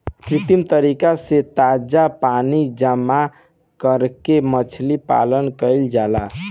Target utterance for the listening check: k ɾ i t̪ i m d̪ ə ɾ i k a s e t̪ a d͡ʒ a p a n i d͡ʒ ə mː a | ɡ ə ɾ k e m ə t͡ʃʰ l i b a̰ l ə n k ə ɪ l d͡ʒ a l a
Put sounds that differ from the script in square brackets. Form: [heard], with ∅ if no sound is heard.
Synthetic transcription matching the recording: k ɾ i t̪ i m [t̪] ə ɾ i k a s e t̪ a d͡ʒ a p a n i d͡ʒ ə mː a | [k] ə ɾ k e m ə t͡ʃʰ l i [p] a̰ l ə n k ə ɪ l d͡ʒ a l a

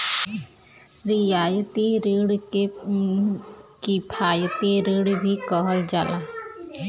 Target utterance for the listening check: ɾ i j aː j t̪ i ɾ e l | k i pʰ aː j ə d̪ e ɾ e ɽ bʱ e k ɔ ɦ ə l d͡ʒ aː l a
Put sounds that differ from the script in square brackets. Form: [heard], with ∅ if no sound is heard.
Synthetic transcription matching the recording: ɾ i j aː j t̪ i ɾ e [ɽ] | k i pʰ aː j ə [t̪] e ɾ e ɽ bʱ [i] k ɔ ɦ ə l d͡ʒ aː l a

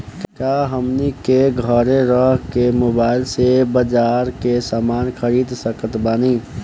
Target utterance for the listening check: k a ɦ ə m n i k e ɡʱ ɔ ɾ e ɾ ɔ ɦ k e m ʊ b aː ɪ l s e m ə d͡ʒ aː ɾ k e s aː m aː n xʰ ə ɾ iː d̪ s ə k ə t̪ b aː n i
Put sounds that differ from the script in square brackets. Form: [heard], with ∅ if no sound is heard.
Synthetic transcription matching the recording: k a ɦ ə m n i k e ɡʱ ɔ ɾ e ɾ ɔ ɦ k e m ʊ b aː ɪ l s e [b] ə d͡ʒ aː ɾ k e s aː m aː n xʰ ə ɾ iː d̪ s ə k ə t̪ b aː n i

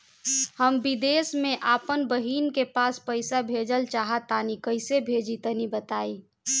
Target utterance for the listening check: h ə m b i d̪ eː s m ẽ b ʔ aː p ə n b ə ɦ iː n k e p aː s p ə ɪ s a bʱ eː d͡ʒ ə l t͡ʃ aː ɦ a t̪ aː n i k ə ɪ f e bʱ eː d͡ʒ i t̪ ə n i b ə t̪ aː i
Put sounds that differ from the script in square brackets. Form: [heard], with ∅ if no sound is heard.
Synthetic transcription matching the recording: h ə m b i d̪ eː s m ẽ [∅] ʔ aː p ə n b ə ɦ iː n k e p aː s p ə ɪ s a bʱ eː d͡ʒ ə l t͡ʃ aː ɦ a t̪ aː n i k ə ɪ [s] e bʱ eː d͡ʒ i t̪ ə n i b ə t̪ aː i

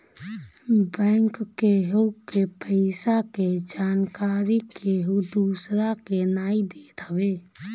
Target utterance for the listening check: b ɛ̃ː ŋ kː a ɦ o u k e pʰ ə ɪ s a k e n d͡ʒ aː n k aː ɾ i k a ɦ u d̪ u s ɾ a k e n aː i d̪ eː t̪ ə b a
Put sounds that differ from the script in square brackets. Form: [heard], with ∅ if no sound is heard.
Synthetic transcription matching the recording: b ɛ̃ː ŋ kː [e] ɦ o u k e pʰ ə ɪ s a k e [∅] d͡ʒ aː n k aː ɾ i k [e] ɦ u d̪ u s ɾ a k e n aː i d̪ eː t̪ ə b [e]

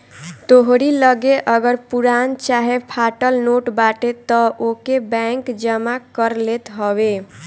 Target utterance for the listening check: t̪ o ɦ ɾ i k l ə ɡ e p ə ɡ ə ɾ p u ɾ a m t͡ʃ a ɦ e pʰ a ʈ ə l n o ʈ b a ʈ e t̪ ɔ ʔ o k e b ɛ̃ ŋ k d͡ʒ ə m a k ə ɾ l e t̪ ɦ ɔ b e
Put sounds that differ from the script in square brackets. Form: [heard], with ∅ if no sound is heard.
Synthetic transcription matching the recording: t̪ o ɦ ɾ i [∅] l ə ɡ e [ʔ] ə ɡ ə ɾ p u ɾ a [n] t͡ʃ a ɦ e pʰ a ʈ ə l n o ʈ b a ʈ e t̪ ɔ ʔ o k e b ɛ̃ ŋ k d͡ʒ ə m a k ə ɾ l e t̪ ɦ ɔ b e

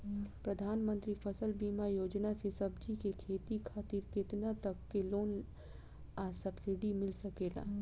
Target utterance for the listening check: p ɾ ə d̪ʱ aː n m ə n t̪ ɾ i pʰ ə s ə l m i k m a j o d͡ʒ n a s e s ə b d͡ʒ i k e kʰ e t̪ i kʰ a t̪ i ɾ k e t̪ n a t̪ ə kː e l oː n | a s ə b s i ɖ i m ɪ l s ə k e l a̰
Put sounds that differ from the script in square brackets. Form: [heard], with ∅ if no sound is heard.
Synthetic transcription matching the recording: p ɾ ə d̪ʱ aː n m ə n t̪ ɾ i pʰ ə s ə l [b] i [∅] m a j o d͡ʒ n a s e s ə b d͡ʒ i k e kʰ e t̪ i kʰ a t̪ i ɾ k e t̪ n a t̪ ə kː e l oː n | a s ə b s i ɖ i m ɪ l s ə k e l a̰

